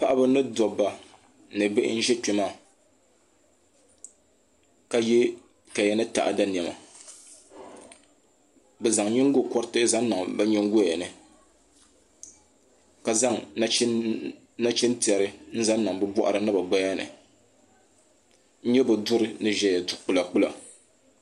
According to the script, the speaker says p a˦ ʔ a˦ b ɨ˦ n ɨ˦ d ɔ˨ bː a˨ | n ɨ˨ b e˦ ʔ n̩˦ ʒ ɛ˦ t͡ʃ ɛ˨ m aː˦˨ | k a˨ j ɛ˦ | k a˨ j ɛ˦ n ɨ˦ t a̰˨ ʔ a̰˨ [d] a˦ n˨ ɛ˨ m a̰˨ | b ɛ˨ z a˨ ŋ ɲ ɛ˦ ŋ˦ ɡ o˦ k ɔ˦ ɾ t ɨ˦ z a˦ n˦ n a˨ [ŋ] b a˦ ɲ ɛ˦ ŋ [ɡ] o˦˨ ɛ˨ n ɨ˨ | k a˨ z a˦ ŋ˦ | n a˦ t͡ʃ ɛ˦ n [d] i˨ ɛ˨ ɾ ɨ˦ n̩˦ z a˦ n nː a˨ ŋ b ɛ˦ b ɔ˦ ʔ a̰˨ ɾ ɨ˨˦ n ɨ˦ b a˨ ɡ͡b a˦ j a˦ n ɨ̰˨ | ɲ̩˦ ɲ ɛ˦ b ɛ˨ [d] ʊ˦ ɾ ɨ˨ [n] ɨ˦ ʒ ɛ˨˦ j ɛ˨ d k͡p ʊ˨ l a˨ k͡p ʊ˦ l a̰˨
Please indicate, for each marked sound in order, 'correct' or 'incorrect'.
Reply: correct, correct, correct, incorrect, correct, correct

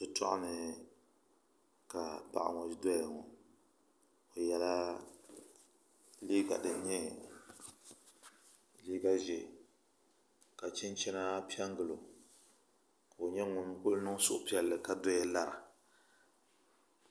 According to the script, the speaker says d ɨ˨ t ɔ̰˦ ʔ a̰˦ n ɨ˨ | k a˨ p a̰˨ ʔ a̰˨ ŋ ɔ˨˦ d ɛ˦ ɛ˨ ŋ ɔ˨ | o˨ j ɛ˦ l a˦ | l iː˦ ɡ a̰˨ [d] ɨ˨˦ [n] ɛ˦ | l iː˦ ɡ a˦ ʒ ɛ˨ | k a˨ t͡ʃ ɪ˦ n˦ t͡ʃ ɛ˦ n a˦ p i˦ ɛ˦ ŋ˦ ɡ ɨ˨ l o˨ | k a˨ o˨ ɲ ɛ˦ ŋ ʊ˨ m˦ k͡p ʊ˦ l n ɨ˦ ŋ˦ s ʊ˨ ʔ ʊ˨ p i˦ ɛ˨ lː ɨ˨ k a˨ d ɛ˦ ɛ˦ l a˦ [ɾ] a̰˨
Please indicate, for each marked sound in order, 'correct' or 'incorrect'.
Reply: correct, incorrect, correct

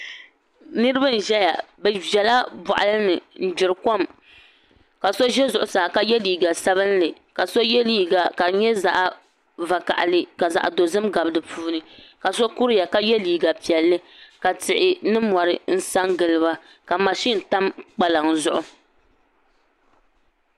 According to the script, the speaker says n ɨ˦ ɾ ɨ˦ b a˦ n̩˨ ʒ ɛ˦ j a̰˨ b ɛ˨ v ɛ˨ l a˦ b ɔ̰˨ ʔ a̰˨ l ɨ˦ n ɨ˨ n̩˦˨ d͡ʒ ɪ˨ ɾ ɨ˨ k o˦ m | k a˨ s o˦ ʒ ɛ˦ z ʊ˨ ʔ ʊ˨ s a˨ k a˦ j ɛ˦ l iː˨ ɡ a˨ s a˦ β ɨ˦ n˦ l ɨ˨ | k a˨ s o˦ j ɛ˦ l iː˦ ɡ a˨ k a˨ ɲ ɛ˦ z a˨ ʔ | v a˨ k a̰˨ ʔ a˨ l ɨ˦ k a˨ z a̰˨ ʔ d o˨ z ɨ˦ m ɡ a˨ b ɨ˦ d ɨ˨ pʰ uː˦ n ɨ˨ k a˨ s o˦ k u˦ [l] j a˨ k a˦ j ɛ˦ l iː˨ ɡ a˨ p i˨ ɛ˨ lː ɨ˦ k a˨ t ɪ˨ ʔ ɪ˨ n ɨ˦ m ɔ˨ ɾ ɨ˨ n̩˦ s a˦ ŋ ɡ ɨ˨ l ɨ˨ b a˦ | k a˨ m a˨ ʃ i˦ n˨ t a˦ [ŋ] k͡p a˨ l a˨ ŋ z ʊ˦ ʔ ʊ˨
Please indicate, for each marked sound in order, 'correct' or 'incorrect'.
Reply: incorrect, incorrect

